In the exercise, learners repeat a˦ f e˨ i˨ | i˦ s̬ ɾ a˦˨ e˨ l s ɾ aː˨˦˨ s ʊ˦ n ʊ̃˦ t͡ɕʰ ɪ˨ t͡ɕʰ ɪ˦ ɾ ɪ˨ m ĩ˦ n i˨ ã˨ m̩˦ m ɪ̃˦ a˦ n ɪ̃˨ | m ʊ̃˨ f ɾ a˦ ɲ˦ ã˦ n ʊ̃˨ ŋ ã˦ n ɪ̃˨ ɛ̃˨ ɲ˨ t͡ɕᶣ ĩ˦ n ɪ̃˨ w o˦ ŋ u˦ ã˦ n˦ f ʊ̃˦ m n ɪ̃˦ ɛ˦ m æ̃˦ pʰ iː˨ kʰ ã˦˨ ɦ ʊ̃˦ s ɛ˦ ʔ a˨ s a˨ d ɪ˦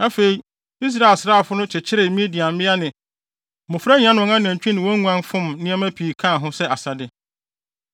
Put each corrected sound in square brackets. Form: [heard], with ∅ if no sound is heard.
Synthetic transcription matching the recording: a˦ f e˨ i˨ | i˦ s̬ ɾ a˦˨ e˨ l s ɾ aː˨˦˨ [f] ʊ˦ n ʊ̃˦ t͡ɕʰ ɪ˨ t͡ɕʰ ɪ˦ ɾ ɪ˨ m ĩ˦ [d] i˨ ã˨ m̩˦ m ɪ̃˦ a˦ n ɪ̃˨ | m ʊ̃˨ f ɾ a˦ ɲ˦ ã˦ n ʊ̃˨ ŋ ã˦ n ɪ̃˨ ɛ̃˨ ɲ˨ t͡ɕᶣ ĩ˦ n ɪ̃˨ w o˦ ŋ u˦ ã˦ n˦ f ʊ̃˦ m n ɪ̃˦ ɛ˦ m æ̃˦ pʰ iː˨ kʰ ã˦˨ ɦ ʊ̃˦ s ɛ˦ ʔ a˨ s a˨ d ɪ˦